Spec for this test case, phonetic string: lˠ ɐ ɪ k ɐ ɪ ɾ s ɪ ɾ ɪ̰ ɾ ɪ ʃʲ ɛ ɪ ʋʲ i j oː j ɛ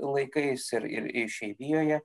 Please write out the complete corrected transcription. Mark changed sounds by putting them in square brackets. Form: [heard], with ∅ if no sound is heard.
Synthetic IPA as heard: lˠ ɐ ɪ k ɐ ɪ [∅] s ɪ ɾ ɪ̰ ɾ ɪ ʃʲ ɛ ɪ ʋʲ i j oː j ɛ